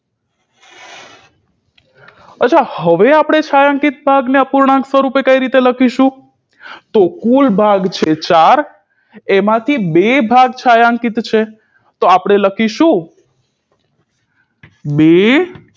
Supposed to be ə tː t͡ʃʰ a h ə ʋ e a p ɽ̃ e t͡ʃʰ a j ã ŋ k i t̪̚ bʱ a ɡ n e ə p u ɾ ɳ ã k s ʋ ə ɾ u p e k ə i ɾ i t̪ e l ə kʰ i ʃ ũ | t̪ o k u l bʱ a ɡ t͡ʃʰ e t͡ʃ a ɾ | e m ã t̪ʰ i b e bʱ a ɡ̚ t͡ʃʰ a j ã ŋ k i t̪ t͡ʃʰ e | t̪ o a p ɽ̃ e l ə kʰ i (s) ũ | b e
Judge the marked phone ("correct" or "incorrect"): incorrect